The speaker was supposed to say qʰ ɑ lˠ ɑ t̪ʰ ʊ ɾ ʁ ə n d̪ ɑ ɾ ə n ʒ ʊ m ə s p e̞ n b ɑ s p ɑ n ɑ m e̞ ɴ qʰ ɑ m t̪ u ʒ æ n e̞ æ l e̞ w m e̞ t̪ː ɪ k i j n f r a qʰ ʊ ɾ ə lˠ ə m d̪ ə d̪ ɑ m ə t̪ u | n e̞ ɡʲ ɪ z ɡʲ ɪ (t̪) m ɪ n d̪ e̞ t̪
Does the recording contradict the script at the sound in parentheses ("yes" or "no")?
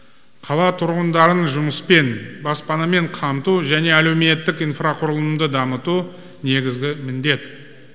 yes